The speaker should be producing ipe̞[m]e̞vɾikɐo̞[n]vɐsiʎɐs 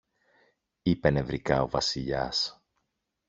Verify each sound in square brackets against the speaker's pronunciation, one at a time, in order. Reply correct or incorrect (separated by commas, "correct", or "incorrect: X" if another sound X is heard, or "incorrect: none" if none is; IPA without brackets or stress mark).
incorrect: n, incorrect: none